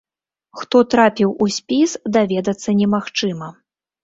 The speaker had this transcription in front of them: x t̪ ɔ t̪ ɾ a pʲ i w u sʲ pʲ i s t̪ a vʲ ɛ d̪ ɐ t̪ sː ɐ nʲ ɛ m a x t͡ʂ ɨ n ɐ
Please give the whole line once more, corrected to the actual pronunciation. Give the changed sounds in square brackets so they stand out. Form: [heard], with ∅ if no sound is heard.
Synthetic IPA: x t̪ ɔ t̪ ɾ a pʲ i w u sʲ pʲ i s [d̪] a vʲ ɛ d̪ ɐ t̪ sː ɐ nʲ ɛ m a x t͡ʂ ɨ [m] ɐ